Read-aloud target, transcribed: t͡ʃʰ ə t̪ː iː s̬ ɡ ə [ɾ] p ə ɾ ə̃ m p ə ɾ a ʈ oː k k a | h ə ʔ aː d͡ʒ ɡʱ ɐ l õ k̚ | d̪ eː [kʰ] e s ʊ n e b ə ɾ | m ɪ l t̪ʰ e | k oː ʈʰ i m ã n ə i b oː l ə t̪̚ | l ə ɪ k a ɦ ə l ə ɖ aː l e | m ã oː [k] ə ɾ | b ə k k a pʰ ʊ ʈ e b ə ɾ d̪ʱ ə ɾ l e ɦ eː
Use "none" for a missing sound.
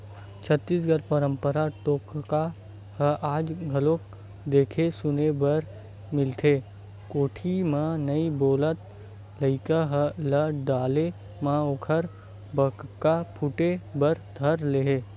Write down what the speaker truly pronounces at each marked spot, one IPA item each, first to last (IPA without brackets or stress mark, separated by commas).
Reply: ɾ, kʰ, kʰ